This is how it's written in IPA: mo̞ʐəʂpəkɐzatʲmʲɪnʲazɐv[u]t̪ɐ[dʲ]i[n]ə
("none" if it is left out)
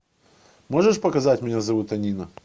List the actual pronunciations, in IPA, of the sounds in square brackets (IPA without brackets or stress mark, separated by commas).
u, nʲ, n